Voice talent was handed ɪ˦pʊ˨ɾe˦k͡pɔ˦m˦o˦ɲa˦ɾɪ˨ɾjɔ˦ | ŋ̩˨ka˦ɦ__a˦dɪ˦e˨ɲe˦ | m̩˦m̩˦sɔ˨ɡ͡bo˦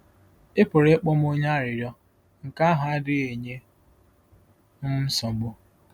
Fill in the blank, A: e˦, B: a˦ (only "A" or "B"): B